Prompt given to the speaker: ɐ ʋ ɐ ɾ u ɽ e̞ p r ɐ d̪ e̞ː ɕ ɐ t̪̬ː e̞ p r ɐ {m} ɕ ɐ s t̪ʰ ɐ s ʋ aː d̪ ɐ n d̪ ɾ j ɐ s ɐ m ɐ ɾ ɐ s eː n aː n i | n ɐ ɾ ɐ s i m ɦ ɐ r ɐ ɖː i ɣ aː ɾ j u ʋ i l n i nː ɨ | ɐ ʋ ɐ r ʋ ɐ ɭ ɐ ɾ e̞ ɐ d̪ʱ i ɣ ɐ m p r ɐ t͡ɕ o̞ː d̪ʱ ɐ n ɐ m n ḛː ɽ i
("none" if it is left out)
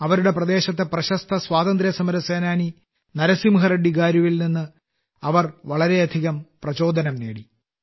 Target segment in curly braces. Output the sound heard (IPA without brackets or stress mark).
none